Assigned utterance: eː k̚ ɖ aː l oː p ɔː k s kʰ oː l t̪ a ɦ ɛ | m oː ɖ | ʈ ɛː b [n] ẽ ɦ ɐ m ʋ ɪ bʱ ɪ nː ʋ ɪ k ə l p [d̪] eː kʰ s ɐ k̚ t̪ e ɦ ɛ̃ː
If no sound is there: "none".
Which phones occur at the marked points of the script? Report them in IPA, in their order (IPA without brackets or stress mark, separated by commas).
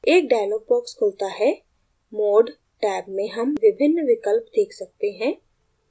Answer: m, d̪